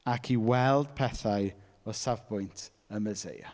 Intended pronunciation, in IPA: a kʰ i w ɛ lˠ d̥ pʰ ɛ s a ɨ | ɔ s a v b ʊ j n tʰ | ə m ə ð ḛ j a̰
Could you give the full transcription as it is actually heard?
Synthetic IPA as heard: a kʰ i w ɛ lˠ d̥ pʰ ɛ θ a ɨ | ɔ s a v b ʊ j n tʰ | ə m ə z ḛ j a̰